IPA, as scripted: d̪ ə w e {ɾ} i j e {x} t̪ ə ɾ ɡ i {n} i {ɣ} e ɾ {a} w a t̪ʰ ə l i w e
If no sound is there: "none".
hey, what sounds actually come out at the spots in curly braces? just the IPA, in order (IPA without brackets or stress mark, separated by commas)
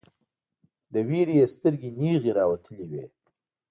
ɾ, s, n, ɣ, ɑ